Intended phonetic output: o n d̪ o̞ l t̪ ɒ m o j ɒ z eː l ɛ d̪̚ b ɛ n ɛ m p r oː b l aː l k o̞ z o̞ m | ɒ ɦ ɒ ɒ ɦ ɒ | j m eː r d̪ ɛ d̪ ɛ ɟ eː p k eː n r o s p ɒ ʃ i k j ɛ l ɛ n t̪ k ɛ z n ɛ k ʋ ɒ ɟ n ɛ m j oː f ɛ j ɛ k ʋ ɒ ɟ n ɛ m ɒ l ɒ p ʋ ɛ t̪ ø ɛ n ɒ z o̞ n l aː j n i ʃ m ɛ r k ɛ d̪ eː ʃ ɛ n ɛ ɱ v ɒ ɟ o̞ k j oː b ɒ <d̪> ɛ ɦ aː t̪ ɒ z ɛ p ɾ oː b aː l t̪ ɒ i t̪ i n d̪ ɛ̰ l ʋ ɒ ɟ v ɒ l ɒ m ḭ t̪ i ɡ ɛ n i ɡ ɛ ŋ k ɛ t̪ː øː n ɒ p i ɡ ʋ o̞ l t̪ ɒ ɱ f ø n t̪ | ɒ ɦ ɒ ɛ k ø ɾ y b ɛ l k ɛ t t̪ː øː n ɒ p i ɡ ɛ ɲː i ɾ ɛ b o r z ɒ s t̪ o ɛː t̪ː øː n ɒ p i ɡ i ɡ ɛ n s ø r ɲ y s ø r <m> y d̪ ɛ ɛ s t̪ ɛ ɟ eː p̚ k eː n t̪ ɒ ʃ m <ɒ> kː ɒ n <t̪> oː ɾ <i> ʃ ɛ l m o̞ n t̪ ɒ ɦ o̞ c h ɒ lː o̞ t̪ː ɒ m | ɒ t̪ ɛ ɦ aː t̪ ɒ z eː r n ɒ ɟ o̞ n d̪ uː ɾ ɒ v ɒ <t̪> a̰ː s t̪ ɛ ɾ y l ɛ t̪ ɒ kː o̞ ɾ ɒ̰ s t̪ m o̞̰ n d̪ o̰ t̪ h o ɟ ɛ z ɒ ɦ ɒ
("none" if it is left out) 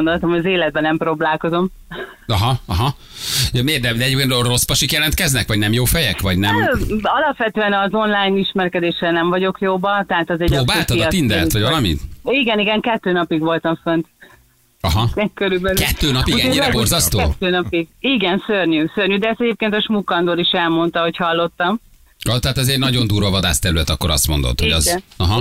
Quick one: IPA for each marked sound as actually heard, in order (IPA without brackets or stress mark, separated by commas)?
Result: t̪, ɲ, u, d̪, i, d̪